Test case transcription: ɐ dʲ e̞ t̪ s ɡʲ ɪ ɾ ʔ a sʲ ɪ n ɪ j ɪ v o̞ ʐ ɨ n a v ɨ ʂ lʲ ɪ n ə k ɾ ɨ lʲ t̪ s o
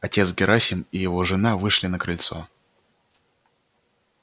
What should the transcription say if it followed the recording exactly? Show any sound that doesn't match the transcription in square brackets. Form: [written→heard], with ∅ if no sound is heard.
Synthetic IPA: ɐ [dʲ→tʲ] e̞ t̪ s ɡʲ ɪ ɾ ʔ a sʲ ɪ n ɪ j ɪ v o̞ ʐ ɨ n a v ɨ ʂ lʲ ɪ n ə k ɾ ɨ lʲ t̪ s o